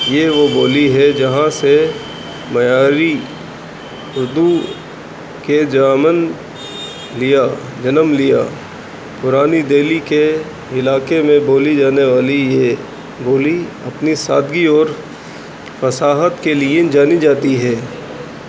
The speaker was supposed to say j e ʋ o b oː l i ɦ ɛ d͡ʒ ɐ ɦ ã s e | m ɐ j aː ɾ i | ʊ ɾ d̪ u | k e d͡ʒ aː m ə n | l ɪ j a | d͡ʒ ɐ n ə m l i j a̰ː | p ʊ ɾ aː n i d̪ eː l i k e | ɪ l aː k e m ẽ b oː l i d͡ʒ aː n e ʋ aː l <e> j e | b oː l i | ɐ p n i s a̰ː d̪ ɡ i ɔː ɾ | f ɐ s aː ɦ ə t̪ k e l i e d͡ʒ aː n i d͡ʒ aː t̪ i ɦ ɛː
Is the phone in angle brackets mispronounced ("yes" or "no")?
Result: yes